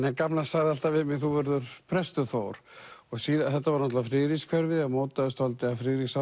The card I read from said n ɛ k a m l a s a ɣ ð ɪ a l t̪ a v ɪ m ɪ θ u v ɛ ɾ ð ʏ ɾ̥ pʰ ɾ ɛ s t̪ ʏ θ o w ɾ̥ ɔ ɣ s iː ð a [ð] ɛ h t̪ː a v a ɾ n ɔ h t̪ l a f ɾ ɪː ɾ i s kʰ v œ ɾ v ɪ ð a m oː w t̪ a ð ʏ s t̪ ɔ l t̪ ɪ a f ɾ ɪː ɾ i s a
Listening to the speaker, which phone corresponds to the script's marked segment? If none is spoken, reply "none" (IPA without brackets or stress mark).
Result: θ